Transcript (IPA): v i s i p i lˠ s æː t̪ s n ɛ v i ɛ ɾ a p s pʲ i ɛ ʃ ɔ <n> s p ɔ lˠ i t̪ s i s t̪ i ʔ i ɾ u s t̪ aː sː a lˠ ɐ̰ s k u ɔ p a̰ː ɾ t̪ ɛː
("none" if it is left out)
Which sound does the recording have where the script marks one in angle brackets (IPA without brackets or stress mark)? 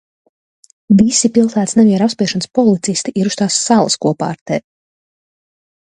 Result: n